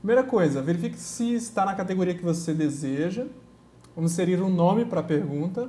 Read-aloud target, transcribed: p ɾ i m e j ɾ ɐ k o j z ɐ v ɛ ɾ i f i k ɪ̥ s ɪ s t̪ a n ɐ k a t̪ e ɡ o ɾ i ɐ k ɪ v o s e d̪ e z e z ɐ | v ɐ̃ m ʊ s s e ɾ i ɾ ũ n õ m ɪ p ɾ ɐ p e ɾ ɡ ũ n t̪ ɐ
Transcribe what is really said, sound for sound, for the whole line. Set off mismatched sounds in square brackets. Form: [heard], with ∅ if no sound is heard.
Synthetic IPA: p ɾ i m e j ɾ ɐ k o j z ɐ v [e] ɾ i f i k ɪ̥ s ɪ s t̪ a n ɐ k a t̪ e ɡ o ɾ i ɐ k ɪ v o s e d̪ e z e [ʒ] ɐ | v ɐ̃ m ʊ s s e ɾ i ɾ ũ n õ m ɪ p ɾ ɐ p e ɾ ɡ ũ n t̪ ɐ